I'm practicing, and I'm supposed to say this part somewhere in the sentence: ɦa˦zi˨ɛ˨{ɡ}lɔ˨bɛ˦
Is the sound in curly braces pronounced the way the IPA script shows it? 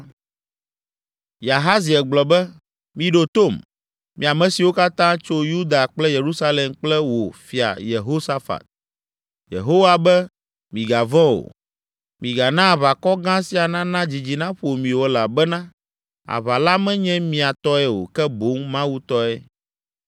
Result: no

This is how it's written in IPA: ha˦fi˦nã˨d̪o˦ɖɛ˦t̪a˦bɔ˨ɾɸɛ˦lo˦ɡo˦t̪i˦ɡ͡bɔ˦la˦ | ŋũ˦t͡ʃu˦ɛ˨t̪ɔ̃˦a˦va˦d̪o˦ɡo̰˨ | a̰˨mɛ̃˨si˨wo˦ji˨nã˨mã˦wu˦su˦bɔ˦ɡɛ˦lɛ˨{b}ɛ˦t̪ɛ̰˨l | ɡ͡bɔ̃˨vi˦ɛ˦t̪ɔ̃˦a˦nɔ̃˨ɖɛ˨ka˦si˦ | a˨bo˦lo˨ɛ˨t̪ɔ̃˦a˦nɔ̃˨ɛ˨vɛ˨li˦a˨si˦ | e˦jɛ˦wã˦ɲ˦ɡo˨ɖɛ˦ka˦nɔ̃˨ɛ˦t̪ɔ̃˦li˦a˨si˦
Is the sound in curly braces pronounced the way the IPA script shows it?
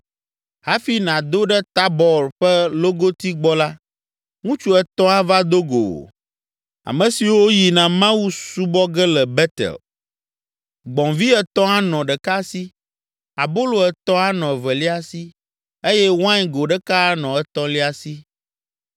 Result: yes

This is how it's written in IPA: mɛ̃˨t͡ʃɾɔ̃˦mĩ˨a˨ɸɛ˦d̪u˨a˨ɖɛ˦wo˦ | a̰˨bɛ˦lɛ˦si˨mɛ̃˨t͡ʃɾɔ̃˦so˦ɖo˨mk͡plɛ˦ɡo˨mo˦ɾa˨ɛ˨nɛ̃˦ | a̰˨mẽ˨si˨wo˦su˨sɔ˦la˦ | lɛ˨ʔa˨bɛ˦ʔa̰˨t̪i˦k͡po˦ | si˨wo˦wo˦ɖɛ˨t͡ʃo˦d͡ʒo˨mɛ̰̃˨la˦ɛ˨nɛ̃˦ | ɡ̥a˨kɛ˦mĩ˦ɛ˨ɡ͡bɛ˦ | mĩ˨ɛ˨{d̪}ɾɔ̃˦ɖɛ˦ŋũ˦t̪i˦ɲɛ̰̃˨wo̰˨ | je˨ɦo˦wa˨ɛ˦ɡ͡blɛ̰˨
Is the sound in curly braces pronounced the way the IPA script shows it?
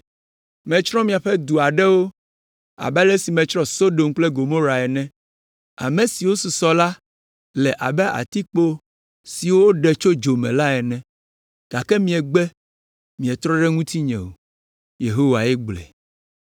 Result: no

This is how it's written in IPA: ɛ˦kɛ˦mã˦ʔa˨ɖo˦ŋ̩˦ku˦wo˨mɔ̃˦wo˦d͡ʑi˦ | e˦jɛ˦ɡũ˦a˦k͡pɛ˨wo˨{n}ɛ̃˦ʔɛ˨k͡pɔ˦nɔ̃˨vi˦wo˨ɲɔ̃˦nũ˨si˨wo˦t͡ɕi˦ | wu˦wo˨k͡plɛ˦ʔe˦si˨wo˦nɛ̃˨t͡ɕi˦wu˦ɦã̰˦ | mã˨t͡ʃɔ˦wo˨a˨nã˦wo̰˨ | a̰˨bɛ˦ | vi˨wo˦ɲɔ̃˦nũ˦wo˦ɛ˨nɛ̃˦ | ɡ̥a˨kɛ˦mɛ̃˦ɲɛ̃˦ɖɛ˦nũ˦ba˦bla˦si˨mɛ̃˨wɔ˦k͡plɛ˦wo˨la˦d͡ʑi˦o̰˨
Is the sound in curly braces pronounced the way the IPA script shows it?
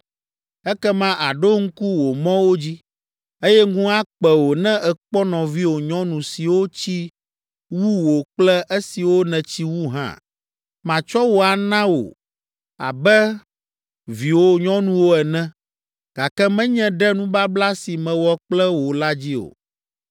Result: yes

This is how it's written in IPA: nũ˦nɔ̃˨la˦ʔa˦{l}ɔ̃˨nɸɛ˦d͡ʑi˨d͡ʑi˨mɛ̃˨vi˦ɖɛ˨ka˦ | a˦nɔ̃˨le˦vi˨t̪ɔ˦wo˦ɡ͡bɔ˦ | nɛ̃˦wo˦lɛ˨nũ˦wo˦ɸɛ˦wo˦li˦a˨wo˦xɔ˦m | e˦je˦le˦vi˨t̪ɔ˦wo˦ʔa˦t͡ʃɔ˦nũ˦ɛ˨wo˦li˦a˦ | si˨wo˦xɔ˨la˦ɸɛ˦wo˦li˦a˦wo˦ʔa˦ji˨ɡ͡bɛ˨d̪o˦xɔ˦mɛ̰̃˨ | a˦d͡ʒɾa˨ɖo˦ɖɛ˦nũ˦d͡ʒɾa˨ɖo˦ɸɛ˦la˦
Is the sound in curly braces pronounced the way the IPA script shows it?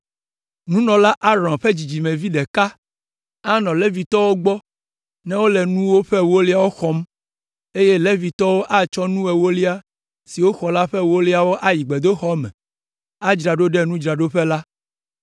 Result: no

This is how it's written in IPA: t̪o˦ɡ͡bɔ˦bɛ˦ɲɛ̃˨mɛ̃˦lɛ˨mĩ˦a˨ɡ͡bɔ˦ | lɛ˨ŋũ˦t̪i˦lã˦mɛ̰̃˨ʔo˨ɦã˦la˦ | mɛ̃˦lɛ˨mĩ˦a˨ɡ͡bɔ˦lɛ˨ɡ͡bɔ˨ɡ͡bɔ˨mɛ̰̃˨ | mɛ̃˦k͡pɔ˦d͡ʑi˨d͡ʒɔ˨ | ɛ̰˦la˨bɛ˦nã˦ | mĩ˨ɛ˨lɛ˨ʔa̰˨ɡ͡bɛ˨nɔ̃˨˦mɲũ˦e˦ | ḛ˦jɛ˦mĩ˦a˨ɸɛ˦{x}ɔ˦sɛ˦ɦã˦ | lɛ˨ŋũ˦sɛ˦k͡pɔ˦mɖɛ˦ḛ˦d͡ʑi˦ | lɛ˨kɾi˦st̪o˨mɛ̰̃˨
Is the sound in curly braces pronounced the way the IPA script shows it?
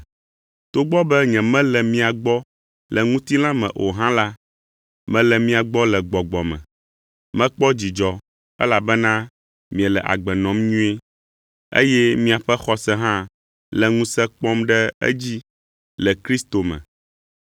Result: yes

